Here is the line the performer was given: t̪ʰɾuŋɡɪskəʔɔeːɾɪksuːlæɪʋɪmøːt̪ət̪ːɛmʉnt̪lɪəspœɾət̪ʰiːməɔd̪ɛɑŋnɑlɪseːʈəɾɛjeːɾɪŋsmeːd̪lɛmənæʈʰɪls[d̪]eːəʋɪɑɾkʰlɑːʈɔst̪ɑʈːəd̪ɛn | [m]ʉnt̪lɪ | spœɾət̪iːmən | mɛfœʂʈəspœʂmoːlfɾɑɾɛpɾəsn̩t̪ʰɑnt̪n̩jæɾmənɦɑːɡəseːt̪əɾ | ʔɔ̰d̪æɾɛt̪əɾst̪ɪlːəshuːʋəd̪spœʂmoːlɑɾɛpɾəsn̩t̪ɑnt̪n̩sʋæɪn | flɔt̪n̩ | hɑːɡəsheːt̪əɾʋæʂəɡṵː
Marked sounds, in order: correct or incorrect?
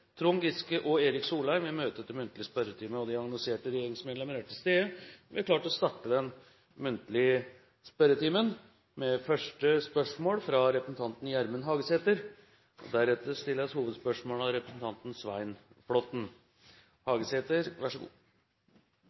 incorrect: t̪, correct

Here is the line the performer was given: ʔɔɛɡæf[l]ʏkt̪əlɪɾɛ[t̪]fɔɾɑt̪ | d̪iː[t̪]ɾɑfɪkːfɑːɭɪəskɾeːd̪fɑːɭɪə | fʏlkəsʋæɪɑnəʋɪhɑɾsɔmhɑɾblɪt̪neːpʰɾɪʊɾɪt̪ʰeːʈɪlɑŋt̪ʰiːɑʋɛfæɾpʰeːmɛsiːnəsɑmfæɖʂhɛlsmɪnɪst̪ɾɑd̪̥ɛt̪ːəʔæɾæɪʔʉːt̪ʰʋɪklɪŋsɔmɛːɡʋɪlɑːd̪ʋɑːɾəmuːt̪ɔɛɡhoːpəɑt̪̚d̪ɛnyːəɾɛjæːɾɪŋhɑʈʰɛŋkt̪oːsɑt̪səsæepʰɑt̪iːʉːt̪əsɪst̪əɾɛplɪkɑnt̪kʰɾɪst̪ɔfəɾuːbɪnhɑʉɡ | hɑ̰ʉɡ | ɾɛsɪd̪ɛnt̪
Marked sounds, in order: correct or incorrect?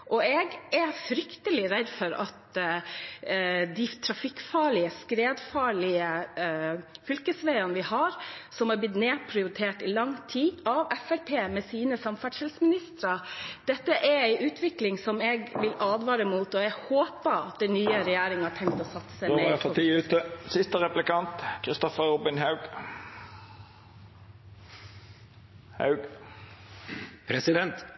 incorrect: ɾ, incorrect: d̪, incorrect: t̪ʰ

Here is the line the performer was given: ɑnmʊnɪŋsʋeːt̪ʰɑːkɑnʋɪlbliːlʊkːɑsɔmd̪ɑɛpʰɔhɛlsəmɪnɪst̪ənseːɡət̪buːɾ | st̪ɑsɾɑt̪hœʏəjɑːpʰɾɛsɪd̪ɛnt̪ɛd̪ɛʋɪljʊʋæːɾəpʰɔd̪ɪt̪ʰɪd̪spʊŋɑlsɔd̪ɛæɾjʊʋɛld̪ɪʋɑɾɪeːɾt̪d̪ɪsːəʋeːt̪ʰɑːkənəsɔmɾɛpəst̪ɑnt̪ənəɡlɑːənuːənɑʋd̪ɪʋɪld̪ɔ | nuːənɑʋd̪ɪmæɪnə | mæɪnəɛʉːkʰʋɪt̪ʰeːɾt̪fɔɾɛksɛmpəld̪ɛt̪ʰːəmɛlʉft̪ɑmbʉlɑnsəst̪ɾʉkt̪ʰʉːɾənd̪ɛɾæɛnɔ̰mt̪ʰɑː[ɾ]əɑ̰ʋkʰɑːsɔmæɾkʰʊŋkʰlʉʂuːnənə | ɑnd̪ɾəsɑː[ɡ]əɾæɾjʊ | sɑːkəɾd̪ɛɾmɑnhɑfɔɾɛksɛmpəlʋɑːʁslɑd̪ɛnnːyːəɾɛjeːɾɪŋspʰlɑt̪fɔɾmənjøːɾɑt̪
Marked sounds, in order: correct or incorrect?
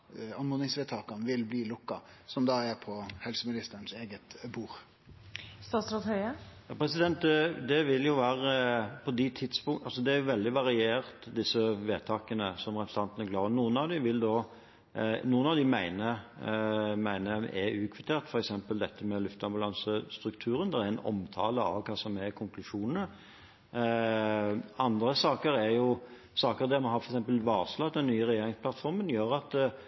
incorrect: l, incorrect: k

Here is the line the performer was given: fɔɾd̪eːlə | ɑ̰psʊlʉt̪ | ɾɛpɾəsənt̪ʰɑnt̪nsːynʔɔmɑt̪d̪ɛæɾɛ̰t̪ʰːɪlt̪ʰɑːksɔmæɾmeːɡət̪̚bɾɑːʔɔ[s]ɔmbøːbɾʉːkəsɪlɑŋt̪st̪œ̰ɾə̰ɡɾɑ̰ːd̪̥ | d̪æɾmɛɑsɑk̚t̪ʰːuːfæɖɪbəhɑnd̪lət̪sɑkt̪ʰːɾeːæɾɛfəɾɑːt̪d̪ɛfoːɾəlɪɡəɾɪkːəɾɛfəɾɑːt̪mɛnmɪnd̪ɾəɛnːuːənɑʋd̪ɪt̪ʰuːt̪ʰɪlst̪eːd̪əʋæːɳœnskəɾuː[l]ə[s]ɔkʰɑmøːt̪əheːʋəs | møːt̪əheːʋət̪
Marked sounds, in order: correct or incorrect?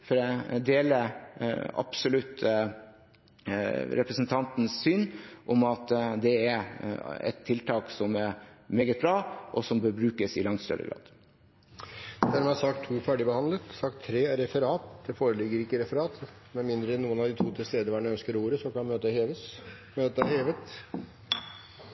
correct, incorrect: ɾ, correct

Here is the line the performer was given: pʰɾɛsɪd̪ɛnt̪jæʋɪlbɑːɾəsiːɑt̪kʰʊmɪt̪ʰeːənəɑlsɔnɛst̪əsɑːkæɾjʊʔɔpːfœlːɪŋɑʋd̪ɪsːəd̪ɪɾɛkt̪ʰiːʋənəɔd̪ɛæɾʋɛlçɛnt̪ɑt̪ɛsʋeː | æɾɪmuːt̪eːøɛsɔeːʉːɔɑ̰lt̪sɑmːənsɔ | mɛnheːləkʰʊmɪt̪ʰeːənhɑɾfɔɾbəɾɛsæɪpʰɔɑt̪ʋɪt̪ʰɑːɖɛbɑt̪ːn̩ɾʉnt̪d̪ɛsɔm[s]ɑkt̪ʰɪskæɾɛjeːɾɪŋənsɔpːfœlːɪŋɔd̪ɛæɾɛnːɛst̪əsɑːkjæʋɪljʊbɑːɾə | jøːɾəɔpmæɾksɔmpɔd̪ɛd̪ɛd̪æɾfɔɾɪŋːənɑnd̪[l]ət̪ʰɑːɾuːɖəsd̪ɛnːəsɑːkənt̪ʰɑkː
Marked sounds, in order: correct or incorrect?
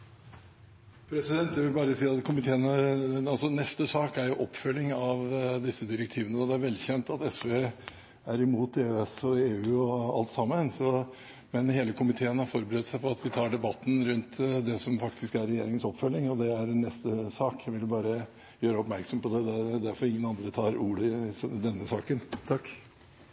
incorrect: f, incorrect: ɾ

